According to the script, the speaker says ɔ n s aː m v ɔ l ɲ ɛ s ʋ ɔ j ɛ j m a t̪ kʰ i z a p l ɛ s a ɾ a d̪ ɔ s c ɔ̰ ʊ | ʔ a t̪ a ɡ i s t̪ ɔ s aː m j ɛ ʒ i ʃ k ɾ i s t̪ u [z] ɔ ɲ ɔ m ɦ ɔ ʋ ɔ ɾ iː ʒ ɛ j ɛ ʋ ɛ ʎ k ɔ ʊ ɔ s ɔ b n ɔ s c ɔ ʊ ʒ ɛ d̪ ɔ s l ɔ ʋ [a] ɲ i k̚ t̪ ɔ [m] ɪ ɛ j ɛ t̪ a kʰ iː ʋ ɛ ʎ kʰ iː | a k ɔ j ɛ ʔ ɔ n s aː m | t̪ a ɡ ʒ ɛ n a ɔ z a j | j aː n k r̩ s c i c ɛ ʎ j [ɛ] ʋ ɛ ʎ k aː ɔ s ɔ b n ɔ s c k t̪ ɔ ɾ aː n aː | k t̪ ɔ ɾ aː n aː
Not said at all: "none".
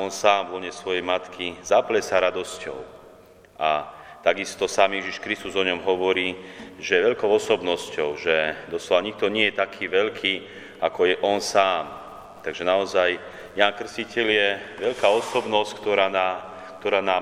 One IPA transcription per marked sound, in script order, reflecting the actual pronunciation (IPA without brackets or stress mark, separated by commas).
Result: z, a, ɲ, ɛ